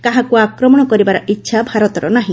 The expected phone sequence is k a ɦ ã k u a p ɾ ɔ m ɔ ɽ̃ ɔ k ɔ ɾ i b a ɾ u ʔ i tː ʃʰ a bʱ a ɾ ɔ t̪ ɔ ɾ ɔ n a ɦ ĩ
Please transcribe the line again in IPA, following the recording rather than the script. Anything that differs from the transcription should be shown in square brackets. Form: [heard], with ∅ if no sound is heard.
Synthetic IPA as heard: k a ɦ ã k u a [k] ɾ ɔ m ɔ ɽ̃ ɔ k ɔ ɾ i b a ɾ [ɔ] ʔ i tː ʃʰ a bʱ a ɾ ɔ t̪ ɔ ɾ ɔ n a ɦ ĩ